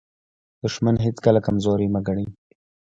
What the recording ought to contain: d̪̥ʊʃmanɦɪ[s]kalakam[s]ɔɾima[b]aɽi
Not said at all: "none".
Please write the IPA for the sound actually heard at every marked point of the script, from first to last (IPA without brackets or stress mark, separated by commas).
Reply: t͡s, z, ɡ